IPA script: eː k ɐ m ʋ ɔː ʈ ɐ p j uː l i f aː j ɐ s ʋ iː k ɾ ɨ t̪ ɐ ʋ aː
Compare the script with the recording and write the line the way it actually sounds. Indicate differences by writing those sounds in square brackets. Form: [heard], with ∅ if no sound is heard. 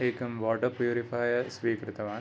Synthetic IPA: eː k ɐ m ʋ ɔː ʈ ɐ p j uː [ɾ] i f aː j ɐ s ʋ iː k ɾ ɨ t̪ ɐ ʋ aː